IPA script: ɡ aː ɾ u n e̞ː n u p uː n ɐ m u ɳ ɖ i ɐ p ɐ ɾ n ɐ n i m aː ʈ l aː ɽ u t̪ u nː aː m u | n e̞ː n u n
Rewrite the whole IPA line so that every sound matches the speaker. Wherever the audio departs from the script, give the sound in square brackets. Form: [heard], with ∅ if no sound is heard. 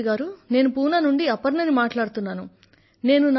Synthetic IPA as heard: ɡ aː ɾ u n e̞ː n u p uː n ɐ [n] u ɳ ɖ i ɐ p ɐ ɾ n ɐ n i m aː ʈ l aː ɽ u t̪ u nː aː [n] u | n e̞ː n u n